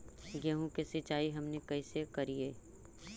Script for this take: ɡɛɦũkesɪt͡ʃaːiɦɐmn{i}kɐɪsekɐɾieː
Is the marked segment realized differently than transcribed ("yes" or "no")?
yes